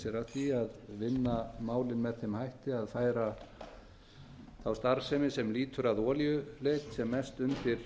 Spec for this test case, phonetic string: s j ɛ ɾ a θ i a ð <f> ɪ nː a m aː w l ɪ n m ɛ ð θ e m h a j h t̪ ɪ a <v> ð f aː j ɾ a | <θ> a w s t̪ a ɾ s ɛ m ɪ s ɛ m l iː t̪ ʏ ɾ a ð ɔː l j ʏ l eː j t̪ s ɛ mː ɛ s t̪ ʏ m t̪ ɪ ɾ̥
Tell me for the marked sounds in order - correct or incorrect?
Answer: incorrect: v, incorrect: none, correct

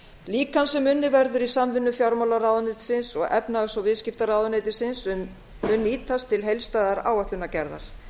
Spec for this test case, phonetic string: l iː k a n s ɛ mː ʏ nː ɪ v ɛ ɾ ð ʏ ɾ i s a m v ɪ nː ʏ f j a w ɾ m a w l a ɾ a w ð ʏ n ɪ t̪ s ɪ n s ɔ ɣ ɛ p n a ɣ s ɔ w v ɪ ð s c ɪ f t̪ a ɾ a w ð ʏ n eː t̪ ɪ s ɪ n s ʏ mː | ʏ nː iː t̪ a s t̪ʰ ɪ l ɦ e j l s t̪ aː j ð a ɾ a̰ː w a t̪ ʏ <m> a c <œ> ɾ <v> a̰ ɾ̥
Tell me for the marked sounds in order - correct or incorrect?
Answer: incorrect: n, incorrect: ɛ, incorrect: ð

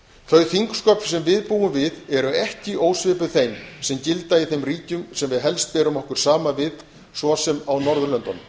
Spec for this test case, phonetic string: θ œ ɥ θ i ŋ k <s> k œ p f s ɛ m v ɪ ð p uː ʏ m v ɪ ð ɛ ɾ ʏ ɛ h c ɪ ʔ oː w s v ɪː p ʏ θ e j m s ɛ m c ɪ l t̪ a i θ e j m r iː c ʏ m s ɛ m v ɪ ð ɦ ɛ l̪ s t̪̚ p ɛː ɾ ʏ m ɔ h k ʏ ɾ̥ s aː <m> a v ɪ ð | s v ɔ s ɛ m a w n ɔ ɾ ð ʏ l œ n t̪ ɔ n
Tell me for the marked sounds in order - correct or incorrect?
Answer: correct, correct

